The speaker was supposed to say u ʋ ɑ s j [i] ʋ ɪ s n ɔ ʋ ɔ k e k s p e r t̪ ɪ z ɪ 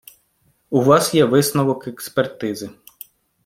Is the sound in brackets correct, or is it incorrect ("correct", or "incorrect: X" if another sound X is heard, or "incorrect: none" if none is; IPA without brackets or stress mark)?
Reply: incorrect: ɛ